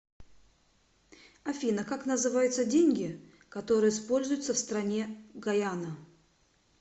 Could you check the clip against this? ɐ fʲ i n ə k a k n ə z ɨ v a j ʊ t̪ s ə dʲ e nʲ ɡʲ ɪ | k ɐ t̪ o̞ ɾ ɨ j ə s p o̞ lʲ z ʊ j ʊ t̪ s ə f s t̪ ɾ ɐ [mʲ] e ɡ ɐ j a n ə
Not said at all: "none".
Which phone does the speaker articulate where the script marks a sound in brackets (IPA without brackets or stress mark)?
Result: nʲ